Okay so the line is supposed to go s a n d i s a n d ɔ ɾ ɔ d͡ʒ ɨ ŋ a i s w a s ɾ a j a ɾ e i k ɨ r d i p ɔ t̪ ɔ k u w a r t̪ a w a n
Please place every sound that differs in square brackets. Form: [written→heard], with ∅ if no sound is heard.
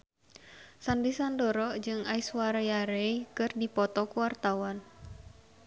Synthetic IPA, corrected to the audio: s a n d i s a n d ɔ ɾ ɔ d͡ʒ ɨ ŋ a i s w a [s→∅] ɾ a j a ɾ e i k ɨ r d i p ɔ t̪ ɔ k u w a r t̪ a w a n